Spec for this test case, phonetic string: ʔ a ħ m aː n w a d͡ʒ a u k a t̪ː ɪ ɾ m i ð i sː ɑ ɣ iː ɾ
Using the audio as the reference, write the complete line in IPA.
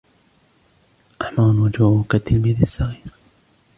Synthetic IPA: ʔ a ħ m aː n w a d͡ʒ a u k a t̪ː ɪ l m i ð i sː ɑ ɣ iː ɾ